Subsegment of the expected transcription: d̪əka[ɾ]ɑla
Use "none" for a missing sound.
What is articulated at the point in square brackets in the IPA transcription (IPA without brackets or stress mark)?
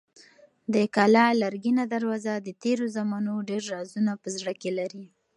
l